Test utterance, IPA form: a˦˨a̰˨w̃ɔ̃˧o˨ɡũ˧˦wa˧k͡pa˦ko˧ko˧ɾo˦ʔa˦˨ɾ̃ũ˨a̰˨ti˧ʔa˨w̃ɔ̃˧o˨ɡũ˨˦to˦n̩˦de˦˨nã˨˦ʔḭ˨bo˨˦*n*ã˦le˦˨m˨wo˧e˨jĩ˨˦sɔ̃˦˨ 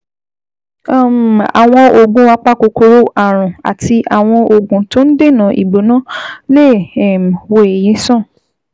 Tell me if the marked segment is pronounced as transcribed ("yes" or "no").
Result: yes